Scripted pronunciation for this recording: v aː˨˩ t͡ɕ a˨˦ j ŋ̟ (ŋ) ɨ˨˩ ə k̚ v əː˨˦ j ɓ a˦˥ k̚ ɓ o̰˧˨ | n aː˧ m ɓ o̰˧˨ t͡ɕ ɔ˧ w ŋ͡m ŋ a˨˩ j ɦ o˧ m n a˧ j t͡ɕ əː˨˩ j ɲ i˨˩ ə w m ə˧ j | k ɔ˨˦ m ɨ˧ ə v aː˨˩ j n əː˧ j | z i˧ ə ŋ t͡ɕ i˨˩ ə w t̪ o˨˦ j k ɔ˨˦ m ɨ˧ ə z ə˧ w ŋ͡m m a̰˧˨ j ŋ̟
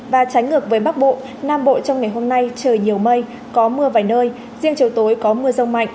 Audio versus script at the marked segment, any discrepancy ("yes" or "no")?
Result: no